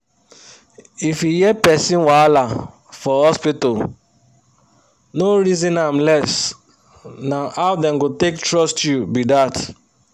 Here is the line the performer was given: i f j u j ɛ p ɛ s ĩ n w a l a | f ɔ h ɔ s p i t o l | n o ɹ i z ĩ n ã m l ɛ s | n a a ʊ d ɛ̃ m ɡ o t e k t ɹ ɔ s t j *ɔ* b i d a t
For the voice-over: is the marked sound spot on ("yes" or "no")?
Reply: no